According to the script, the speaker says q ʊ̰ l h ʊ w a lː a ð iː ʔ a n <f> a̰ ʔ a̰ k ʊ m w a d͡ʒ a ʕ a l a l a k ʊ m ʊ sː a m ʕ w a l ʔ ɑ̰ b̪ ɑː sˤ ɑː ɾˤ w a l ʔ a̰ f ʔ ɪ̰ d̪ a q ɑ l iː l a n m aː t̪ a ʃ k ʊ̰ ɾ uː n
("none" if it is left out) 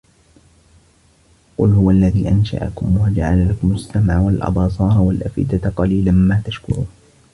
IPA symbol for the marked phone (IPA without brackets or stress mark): ʃ